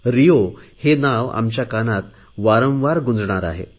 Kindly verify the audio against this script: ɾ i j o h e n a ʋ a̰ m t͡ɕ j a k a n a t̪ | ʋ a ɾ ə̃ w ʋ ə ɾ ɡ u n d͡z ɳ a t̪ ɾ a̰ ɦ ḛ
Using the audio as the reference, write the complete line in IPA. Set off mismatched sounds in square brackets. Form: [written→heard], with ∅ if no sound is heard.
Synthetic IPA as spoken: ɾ i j o h e n a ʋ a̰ m t͡ɕ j a k a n a t̪ | ʋ a ɾ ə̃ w ʋ [ə→a] ɾ ɡ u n d͡z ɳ a [t̪→∅] ɾ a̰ ɦ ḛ